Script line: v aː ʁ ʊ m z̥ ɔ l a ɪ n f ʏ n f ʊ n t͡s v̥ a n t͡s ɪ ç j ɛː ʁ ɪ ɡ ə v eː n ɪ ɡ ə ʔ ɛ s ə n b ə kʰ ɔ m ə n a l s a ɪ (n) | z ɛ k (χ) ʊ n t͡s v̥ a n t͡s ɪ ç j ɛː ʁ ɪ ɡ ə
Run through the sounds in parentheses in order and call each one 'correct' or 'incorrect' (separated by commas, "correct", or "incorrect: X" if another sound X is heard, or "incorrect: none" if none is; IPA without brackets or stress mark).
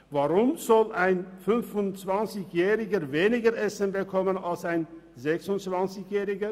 correct, incorrect: s